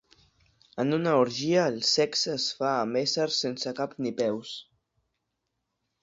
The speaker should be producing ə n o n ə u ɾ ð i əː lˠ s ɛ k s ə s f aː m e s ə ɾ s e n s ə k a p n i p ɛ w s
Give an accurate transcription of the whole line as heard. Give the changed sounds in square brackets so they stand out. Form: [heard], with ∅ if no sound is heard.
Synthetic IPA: ə n [u] n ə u ɾ [ʒ] i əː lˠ s ɛ k s ə s f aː m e s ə ɾ s e n s ə k a p n i p ɛ w s